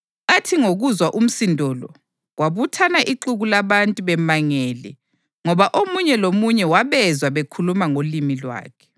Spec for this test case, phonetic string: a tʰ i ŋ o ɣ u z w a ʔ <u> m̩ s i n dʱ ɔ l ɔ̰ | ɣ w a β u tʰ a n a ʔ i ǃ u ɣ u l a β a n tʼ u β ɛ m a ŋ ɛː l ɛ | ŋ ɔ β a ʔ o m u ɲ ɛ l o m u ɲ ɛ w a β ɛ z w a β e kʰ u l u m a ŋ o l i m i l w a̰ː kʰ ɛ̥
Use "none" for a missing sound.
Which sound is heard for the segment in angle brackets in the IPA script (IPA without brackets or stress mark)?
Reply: u